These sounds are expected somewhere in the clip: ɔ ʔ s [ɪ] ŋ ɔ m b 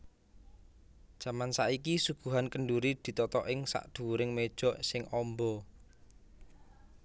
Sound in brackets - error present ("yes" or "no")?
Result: no